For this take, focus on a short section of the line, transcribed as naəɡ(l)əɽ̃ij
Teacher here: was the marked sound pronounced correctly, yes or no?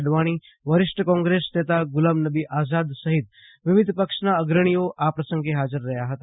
no